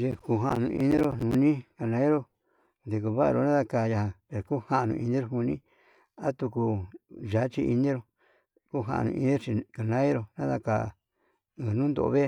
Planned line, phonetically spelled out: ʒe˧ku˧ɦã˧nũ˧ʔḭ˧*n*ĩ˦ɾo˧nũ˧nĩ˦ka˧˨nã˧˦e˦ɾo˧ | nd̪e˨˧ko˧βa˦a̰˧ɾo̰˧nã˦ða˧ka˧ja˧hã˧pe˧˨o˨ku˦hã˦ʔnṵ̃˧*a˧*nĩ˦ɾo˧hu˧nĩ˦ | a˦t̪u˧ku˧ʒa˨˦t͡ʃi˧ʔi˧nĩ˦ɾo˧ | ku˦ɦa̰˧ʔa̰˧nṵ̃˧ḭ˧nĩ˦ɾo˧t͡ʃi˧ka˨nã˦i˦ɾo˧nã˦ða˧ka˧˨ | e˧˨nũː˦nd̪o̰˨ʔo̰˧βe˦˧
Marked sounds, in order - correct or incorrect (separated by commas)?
correct, incorrect